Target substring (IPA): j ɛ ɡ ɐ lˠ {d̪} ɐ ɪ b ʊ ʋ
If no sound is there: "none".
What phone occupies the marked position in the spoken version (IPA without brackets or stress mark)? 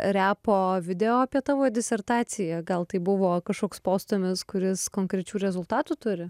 t̪